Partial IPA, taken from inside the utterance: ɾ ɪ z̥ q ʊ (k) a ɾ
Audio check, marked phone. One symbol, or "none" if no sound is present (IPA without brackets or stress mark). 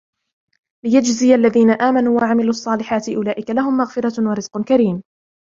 k